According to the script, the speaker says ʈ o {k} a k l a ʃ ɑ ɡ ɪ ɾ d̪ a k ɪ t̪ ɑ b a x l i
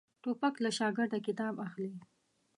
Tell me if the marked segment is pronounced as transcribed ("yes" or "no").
no